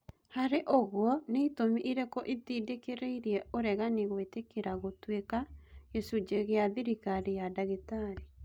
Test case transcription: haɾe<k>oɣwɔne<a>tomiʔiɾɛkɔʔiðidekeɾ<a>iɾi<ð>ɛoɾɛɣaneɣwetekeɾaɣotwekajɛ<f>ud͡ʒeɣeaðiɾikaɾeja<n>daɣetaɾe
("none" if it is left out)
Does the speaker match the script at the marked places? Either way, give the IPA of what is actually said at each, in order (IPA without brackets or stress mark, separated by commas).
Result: ʔ, i, e, none, s, none